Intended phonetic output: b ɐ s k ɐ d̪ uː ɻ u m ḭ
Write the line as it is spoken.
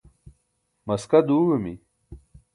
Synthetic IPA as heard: m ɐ s k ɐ d̪ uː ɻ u m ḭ